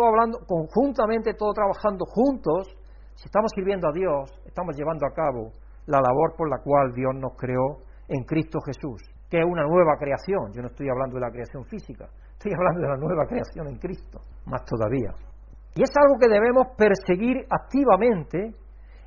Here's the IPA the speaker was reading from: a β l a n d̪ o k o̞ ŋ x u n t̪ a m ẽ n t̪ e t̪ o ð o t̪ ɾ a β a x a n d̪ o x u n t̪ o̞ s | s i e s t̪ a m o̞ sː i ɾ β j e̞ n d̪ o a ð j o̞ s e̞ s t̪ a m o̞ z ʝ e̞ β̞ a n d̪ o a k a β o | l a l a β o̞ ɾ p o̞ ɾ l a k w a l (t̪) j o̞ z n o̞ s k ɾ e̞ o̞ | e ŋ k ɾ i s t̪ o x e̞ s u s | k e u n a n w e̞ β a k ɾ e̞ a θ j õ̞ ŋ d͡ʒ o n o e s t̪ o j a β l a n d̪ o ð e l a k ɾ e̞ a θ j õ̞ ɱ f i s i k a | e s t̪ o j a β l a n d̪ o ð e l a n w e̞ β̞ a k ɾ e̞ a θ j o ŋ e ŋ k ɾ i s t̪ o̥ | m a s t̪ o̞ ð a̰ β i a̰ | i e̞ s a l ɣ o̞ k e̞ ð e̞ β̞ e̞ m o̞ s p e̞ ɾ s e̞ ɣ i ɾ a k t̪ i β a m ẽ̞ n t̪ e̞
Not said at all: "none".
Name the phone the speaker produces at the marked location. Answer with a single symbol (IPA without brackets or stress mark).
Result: d̪